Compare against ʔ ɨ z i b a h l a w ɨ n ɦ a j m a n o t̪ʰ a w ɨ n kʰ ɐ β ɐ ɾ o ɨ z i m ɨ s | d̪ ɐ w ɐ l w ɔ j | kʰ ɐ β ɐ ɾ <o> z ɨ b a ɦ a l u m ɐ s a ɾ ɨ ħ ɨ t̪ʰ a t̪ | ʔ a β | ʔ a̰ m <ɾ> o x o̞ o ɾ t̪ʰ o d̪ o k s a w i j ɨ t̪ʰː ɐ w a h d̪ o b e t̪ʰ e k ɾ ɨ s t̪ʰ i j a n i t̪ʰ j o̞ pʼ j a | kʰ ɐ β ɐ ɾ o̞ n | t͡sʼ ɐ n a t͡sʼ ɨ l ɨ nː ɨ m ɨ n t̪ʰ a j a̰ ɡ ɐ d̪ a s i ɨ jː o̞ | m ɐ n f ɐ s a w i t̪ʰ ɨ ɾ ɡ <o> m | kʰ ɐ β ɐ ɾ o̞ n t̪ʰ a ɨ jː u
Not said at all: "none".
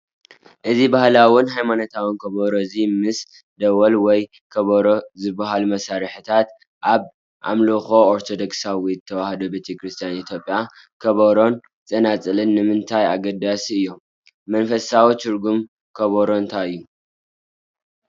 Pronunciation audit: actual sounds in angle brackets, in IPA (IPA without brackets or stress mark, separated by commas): o, l, u